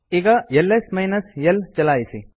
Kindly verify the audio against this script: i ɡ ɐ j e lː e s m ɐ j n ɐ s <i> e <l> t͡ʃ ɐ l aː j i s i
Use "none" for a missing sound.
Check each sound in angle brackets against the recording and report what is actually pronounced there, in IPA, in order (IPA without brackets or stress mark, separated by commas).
j, l